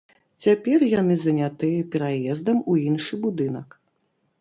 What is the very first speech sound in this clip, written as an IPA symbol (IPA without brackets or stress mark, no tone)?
t͡sʲ